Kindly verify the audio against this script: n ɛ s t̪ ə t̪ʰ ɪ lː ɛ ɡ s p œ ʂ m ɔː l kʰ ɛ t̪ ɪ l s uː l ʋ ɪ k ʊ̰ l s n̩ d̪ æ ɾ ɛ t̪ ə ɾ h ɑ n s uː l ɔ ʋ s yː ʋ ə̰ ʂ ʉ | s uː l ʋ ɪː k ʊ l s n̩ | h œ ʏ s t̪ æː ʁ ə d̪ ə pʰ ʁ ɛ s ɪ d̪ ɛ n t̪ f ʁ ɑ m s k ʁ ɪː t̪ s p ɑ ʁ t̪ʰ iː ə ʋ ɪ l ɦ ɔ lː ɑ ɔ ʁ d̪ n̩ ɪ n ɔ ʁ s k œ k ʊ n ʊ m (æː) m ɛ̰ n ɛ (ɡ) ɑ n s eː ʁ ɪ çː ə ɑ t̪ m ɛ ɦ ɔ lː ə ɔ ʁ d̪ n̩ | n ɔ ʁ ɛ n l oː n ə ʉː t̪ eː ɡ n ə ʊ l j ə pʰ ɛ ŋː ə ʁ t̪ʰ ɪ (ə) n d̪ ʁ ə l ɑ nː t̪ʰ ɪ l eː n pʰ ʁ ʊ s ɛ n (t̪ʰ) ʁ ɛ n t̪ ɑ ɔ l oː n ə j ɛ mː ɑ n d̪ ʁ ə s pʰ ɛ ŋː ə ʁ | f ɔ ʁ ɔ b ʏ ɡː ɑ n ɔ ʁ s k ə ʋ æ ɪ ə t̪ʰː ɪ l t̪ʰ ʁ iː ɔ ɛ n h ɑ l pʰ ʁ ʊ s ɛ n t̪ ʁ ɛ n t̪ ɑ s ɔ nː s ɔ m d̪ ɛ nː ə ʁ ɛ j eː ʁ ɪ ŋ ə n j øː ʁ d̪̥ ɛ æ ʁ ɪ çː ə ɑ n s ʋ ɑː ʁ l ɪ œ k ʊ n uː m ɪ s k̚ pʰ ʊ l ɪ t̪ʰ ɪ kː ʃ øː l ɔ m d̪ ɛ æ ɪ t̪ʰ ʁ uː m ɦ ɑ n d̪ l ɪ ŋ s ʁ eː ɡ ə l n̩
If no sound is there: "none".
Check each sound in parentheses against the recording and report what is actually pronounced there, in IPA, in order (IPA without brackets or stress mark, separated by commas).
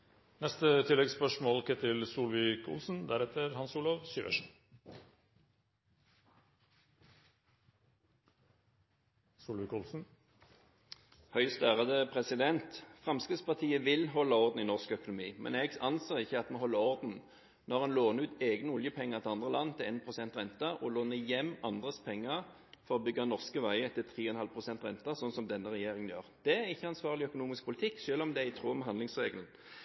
iː, ɡ, ɑ, t̪